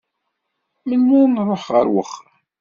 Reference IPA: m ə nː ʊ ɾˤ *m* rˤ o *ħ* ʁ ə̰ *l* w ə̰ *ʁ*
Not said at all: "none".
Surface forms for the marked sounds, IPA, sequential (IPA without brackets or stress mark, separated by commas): n, ħ, ɾ, χ